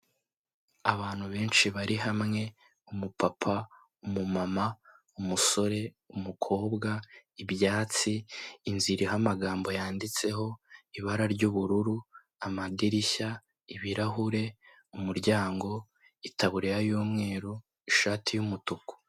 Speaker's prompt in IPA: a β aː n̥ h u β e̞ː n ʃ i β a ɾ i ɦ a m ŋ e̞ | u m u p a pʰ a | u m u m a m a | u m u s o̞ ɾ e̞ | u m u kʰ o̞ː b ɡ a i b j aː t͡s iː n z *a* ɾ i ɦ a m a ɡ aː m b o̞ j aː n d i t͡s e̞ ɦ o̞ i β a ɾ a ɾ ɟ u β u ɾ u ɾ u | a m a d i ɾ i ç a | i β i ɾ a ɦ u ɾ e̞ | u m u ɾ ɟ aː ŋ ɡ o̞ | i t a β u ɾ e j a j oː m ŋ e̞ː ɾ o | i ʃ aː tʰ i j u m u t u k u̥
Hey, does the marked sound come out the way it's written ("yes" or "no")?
no